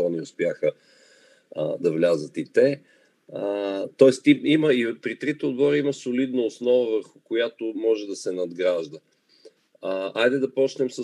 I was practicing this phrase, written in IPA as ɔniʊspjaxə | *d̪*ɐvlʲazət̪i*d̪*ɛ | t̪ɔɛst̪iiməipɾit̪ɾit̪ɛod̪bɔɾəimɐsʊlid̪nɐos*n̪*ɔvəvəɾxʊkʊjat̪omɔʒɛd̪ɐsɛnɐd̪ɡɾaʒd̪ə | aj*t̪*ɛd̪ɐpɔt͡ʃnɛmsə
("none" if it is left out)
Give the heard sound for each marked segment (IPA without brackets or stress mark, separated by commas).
d̪, t̪, n̪, d̪